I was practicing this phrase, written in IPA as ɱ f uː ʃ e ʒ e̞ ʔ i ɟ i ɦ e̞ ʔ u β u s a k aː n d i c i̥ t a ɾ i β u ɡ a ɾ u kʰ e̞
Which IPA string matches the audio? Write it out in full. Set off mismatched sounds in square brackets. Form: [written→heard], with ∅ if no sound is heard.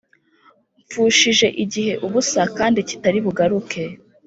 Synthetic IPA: ɱ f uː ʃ [e→i] ʒ e̞ ʔ i ɟ i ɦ e̞ ʔ u β u s a k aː n d i c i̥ t a ɾ i β u ɡ a ɾ u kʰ e̞